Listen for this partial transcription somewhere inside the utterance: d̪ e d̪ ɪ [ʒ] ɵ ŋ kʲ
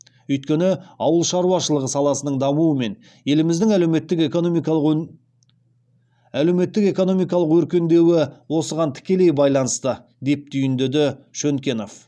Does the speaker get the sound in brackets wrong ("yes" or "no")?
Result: yes